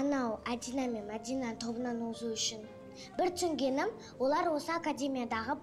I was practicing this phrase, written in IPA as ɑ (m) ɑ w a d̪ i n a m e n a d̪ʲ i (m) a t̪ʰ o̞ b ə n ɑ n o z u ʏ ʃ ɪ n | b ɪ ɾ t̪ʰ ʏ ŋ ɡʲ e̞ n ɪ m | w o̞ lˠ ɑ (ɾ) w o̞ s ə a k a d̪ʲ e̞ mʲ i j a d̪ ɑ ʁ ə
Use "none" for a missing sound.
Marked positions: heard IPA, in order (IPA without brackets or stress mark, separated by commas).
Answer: n, n, ɾ